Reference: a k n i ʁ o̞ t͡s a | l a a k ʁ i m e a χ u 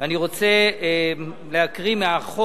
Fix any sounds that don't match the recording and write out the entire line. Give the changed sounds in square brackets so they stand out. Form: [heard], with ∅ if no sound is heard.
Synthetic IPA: a [∅] n i ʁ o̞ t͡s [e] | l [e] a k ʁ i m e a χ [o]